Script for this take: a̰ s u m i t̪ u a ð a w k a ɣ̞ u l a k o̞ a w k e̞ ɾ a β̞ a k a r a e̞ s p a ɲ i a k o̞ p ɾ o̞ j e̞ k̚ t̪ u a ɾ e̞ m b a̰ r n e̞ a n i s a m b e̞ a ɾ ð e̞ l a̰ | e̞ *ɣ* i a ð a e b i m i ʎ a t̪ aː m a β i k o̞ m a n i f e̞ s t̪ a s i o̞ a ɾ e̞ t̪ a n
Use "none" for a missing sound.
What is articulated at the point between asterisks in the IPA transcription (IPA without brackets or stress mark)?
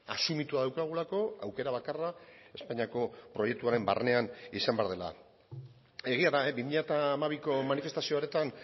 ɣ